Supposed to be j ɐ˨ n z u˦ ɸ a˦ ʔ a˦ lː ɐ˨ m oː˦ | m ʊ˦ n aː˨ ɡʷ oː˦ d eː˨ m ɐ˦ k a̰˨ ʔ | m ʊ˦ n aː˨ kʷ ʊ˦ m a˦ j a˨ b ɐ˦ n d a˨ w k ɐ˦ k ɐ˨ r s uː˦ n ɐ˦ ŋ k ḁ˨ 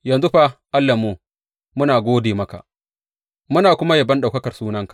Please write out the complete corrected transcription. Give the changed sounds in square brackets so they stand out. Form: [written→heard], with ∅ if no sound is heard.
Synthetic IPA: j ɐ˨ n z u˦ ɸ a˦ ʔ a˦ lː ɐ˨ m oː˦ | m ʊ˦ n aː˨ ɡʷ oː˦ d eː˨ m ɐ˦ k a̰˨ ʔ | m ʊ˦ n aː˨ kʷ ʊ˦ m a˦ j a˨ b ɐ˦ n [d→ɗ] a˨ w k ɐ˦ k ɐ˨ r s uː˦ n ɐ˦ ŋ k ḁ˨

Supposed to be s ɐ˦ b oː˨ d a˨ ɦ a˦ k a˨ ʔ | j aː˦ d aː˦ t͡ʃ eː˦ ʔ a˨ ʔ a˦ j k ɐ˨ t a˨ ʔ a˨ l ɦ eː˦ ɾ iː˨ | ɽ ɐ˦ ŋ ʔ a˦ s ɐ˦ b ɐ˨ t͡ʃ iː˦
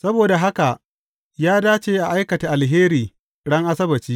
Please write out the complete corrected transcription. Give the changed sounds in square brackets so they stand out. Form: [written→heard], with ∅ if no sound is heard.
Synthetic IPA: s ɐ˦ b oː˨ d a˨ ɦ a˦ k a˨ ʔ | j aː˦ d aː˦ t͡ʃ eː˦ ʔ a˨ ʔ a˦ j k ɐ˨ t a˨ ʔ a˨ l ɦ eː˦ ɾ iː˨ | ɽ ɐ˦ ŋ ʔ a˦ s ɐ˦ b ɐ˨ t͡ʃ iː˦

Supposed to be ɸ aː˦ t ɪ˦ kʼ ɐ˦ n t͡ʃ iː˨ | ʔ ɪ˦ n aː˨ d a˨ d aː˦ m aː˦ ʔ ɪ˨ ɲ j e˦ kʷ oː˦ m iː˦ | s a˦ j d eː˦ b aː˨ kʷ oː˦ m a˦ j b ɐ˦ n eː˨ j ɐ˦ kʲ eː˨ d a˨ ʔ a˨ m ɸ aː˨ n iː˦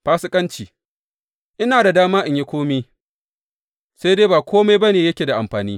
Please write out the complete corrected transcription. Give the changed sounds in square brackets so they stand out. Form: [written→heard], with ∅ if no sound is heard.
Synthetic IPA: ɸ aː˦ [t→s] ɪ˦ kʼ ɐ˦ n t͡ʃ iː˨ | ʔ ɪ˦ n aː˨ d a˨ d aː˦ m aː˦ ʔ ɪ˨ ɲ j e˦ kʷ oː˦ m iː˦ | s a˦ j d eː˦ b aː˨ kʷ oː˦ m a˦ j b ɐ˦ n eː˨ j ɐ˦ kʲ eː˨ d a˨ ʔ a˨ m ɸ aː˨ n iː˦

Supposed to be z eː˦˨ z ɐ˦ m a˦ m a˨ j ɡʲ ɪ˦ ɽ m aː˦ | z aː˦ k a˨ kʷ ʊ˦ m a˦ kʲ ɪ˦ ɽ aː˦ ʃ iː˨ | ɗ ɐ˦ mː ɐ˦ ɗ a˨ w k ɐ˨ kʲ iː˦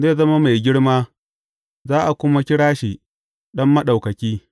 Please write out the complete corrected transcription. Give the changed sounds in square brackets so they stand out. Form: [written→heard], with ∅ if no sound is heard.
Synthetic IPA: z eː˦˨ z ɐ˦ m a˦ m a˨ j ɡʲ ɪ˦ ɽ m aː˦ | z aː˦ [k→ʔ] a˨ kʷ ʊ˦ m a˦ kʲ ɪ˦ ɽ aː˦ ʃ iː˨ | ɗ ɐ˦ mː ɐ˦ ɗ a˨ w k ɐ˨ kʲ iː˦

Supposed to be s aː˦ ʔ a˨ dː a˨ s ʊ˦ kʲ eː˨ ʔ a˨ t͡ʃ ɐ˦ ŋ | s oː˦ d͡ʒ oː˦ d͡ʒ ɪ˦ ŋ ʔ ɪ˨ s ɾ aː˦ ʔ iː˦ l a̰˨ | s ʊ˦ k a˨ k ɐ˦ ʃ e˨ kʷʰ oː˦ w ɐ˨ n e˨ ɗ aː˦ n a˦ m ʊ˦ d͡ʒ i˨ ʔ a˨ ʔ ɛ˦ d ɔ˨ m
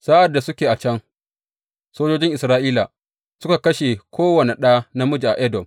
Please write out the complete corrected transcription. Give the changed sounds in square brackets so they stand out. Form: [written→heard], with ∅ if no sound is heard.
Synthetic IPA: s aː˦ ʔ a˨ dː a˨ s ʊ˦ kʲ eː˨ ʔ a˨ t͡ʃ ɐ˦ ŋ | s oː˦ d͡ʒ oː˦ d͡ʒ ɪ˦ ŋ ʔ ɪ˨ s ɾ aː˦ ʔ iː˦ l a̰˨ | s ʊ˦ k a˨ k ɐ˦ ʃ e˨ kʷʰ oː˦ w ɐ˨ n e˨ ɗ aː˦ n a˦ m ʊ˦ d͡ʒ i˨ ʔ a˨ ʔ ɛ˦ d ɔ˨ m

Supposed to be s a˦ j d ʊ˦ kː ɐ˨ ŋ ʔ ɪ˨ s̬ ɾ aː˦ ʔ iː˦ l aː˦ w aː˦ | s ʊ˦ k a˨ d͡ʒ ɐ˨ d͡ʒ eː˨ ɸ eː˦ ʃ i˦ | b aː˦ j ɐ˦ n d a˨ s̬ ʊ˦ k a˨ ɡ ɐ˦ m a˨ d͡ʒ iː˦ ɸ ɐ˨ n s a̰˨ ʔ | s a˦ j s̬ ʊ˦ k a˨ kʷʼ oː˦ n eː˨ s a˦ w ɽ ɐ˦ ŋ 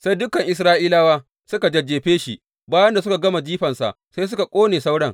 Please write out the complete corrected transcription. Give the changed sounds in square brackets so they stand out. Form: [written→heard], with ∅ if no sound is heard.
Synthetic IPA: s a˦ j d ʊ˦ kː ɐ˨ ŋ ʔ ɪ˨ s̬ ɾ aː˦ ʔ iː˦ l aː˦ w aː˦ | s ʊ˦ k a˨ d͡ʒ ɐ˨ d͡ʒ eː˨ ɸ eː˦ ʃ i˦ | b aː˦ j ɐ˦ n d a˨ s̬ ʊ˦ k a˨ ɡ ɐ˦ m a˨ d͡ʒ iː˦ ɸ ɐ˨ n s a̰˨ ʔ | s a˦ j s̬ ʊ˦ k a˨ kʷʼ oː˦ n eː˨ s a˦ w ɽ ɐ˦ ŋ

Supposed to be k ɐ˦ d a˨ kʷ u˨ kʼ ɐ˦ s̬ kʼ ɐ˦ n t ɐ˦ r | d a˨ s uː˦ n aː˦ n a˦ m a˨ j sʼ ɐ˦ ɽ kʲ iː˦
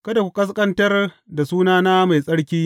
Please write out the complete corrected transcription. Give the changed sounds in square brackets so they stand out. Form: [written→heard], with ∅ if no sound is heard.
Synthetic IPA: k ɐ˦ d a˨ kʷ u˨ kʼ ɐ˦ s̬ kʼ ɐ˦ n t ɐ˦ r | d a˨ s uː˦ n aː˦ n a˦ m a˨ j sʼ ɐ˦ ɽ kʲ iː˦

